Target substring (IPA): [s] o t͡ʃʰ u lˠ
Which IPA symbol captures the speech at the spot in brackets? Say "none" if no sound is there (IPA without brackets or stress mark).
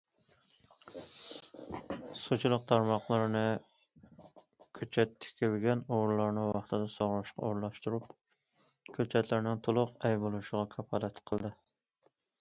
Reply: s